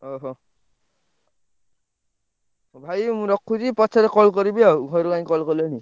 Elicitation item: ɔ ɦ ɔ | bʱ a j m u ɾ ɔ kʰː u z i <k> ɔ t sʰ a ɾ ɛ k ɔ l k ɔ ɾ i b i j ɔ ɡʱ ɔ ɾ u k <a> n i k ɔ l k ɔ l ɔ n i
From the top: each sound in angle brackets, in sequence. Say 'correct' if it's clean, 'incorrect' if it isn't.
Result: incorrect: p, correct

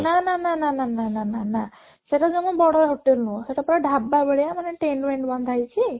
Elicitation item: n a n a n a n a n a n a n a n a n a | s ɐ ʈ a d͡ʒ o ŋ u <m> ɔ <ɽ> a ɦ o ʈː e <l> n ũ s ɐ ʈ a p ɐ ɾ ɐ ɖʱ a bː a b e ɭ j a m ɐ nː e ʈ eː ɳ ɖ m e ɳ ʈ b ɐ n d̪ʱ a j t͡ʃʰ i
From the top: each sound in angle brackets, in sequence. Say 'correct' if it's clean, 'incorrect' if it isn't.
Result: incorrect: b, correct, correct

